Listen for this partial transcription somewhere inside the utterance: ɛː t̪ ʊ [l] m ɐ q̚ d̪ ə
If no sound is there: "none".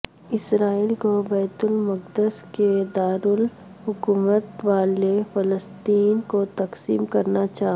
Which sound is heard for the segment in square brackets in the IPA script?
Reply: l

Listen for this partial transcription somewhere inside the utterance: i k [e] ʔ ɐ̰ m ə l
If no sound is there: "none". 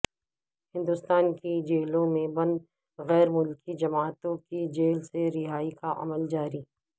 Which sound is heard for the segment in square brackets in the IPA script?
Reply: a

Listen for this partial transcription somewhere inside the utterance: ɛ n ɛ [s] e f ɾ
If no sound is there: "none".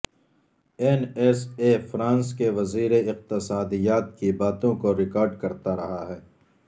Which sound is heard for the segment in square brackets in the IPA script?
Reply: s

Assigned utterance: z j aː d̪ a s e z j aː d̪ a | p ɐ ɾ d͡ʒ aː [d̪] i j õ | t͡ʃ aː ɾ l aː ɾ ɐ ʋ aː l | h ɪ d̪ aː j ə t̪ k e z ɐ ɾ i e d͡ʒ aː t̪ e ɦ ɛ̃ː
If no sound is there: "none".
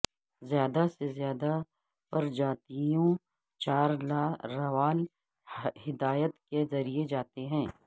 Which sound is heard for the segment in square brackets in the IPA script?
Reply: t̪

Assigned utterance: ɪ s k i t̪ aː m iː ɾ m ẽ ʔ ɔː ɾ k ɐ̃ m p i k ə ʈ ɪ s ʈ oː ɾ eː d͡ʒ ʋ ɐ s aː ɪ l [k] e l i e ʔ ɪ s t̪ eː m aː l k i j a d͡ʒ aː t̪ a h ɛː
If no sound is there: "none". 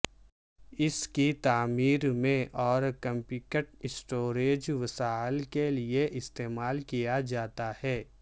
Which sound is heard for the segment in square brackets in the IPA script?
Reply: k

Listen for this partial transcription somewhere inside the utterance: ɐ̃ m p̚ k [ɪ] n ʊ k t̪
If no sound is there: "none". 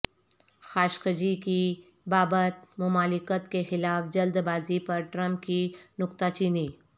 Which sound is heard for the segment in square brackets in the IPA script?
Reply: i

